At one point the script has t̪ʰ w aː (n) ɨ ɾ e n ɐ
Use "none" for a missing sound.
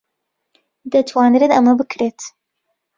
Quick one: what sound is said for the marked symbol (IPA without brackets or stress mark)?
n